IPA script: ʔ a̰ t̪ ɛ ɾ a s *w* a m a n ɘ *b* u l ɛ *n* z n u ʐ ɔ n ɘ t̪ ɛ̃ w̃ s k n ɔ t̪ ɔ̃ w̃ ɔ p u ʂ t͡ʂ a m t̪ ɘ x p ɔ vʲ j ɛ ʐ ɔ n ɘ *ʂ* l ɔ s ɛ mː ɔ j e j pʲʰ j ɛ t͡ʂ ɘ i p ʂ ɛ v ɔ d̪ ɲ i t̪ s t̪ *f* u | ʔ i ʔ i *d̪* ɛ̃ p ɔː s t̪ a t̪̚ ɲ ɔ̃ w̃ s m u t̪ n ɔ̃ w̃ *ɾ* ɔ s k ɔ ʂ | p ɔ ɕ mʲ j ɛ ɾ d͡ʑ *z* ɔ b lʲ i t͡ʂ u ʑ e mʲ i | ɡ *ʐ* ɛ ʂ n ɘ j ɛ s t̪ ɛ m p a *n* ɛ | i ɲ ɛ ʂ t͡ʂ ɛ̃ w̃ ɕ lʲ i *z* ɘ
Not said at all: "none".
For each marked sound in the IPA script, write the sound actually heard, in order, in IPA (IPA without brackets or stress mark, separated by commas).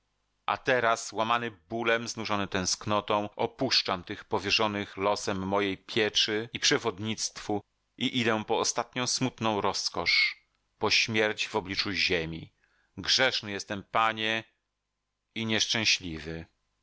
w, b, m, x, f, d̪, ɾ, v, ʐ, ɲ, v